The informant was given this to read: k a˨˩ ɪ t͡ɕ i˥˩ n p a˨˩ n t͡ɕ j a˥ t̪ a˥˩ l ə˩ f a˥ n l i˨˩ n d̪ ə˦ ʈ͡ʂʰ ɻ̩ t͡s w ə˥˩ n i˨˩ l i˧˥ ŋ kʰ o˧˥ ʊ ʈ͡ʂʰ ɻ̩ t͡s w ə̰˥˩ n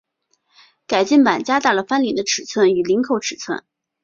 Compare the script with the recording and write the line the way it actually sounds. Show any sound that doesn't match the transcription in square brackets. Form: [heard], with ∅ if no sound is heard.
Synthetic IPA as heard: k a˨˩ ɪ t͡ɕ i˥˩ n p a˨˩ n t͡ɕ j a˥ t̪ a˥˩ l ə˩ f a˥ n l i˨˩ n d̪ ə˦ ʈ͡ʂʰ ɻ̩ [t͡sʰ] w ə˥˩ n [y˨˩] l i˧˥ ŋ kʰ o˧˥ ʊ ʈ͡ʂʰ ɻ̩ [t͡sʰ] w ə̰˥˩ n